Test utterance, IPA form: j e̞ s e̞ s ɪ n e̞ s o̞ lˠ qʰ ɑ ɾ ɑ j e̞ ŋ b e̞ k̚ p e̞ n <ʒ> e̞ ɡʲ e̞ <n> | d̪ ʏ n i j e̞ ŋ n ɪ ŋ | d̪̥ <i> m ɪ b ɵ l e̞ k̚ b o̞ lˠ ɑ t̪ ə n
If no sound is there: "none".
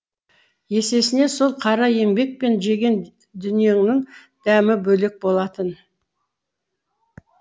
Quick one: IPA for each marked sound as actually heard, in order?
ʒ, n, æ

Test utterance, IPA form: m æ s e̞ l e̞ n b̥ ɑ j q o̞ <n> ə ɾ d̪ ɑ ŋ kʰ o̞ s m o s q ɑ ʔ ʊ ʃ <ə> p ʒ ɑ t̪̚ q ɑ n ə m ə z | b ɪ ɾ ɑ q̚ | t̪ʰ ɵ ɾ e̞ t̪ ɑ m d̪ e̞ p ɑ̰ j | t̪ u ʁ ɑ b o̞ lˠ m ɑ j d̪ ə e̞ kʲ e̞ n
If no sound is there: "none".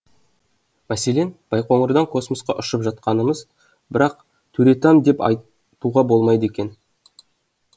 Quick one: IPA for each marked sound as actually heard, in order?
ɴ, ə

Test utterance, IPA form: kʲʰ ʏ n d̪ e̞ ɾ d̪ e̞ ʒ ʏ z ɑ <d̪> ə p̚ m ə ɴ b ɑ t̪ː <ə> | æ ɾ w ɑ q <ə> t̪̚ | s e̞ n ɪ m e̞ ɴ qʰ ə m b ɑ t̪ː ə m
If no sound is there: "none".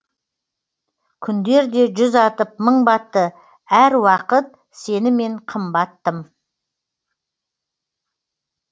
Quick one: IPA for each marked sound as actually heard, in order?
t̪, ə, ə

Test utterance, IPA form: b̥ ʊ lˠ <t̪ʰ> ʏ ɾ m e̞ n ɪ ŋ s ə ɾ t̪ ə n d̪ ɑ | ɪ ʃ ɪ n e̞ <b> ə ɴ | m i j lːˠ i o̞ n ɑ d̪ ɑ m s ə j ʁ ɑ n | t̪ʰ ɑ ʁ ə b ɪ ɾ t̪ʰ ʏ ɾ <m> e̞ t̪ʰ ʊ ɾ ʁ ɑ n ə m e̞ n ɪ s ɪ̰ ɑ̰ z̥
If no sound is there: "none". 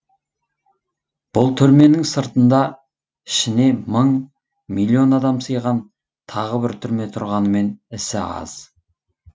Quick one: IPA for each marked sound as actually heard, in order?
t̪ʰ, m, m

